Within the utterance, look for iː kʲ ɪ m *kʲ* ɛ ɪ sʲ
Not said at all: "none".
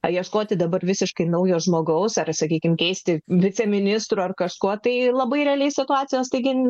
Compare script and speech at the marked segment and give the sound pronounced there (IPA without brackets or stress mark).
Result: kʲ